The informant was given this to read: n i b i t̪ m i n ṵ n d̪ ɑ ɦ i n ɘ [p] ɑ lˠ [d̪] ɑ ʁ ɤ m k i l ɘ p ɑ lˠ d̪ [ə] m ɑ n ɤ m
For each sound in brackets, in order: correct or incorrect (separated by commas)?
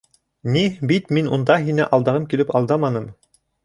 incorrect, correct, incorrect